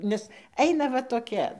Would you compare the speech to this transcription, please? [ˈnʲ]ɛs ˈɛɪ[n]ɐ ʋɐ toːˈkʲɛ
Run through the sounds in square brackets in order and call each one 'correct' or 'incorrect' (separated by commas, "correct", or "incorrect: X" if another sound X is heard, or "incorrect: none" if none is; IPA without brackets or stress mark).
correct, correct